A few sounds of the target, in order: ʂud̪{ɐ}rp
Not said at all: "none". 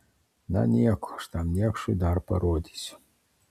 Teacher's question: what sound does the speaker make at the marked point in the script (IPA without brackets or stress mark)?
a